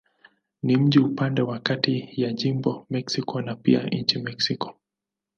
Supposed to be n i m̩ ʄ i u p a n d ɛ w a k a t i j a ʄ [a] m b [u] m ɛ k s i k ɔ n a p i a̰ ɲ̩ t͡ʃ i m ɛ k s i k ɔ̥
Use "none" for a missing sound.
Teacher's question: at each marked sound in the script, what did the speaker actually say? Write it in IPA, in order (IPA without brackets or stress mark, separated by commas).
i, ɔ